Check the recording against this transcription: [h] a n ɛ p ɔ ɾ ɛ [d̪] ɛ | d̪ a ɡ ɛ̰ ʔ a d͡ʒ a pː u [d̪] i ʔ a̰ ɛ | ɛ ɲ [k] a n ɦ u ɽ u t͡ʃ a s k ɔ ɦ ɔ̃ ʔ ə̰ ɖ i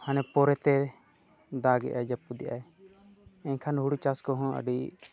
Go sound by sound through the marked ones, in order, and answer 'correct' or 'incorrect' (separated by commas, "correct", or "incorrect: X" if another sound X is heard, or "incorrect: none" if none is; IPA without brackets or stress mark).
correct, incorrect: t̪, correct, incorrect: kʰ